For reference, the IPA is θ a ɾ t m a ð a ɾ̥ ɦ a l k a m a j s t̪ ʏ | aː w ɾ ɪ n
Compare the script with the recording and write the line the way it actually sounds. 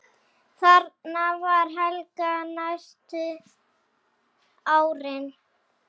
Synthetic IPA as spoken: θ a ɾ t n a v a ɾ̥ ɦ ɛ l k a n a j s t̪ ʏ | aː w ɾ ɪ n